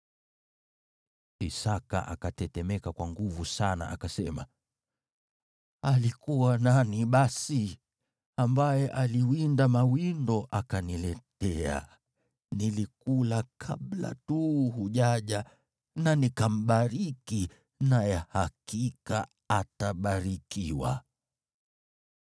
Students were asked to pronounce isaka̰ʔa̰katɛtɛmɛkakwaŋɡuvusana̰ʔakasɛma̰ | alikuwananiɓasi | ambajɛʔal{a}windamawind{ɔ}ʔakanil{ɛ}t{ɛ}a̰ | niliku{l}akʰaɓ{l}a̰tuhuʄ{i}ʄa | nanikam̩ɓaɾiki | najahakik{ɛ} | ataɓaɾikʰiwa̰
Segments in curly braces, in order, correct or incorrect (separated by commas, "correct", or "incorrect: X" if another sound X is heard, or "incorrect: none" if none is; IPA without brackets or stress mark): incorrect: i, correct, correct, correct, correct, correct, incorrect: a, incorrect: a